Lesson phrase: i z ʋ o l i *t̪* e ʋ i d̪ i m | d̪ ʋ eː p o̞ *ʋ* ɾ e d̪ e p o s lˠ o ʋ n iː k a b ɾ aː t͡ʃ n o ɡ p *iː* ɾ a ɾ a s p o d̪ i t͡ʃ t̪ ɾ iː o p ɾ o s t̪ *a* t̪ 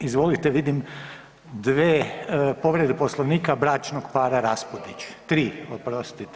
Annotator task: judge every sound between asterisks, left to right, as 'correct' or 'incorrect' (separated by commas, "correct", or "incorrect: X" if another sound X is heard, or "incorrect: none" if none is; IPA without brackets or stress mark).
correct, correct, incorrect: aː, incorrect: i